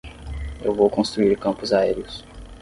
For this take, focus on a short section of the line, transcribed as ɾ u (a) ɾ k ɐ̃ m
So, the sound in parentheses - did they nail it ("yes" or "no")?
no